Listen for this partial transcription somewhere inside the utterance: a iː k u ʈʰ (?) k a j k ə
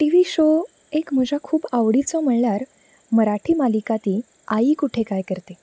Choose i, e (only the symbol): e